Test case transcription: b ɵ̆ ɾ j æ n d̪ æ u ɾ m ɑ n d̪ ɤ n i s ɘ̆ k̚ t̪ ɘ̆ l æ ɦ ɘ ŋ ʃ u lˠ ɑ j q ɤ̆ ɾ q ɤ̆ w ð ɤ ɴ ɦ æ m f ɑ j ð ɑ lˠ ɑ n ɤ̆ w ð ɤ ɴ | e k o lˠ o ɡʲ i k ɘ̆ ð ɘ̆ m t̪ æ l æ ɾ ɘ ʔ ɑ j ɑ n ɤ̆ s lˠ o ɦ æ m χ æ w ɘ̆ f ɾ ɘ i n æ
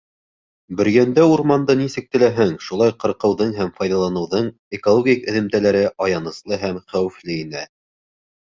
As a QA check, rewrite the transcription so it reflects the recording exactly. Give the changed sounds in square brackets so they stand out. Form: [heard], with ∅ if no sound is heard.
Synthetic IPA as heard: b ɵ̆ ɾ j æ n d̪ æ u ɾ m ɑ n d̪ ɤ n i s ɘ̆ k̚ t̪ ɘ̆ l æ ɦ ɘ ŋ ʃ u lˠ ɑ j q ɤ̆ ɾ q ɤ̆ w ð ɤ ɴ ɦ æ m f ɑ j ð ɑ lˠ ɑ n ɤ̆ w ð ɤ ɴ | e k o lˠ o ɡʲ i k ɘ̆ ð ɘ̆ m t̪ æ l æ ɾ ɘ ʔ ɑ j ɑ n ɤ̆ s lˠ [ɤ] ɦ æ m χ æ w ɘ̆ f [l] ɘ i n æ